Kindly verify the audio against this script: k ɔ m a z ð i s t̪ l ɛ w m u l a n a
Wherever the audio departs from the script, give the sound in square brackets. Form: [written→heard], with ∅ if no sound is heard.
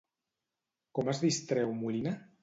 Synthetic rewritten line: k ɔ m a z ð i s t̪ [l→ɾ] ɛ w m u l [a→i] n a